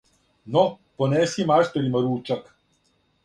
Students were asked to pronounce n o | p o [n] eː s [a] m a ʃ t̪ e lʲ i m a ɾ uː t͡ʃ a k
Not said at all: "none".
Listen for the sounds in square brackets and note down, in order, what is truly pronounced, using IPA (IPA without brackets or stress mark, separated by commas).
n, i